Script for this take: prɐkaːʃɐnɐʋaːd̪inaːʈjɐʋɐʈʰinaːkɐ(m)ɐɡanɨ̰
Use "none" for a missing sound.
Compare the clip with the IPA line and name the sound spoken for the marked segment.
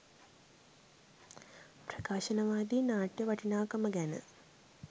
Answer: m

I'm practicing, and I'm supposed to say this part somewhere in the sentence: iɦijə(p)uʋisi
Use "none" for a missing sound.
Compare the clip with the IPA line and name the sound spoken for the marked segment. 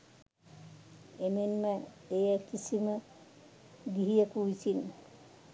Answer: k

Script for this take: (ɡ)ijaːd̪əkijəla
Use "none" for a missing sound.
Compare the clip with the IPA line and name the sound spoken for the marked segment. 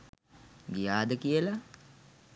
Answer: ɡ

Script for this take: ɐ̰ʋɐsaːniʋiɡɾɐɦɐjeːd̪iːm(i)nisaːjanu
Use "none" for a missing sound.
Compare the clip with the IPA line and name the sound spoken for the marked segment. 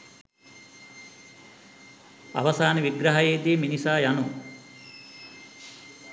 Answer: i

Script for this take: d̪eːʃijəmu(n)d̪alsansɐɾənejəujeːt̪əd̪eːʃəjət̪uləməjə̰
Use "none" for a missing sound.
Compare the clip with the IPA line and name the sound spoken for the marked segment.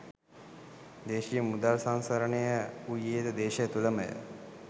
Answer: none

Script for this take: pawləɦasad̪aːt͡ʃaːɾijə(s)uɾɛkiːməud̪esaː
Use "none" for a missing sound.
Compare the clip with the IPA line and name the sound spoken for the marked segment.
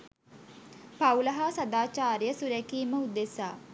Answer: s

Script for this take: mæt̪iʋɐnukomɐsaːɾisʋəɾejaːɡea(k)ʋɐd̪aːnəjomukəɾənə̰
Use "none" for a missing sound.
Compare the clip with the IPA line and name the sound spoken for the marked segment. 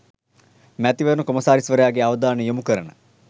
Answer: none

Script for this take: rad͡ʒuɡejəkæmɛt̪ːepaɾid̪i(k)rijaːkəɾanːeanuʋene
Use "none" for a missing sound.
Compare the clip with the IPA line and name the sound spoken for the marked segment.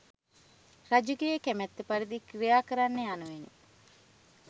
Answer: k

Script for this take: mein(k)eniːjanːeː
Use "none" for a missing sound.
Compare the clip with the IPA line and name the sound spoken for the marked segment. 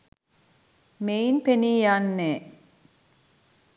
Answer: p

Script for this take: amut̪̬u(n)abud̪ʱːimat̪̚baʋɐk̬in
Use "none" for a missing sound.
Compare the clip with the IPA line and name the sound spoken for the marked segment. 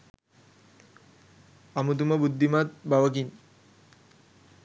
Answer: m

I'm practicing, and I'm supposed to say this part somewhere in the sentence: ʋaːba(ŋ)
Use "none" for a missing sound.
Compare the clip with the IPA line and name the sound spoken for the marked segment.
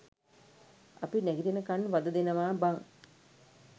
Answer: ŋ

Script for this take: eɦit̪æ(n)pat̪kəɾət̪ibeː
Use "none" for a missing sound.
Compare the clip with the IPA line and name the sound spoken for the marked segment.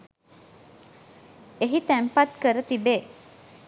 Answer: m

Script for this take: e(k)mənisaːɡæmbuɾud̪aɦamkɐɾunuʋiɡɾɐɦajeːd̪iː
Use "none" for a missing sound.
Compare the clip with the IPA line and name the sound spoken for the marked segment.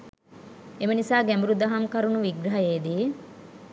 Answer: none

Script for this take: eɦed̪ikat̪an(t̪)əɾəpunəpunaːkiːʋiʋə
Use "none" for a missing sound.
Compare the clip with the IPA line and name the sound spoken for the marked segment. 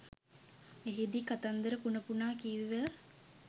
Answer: d̪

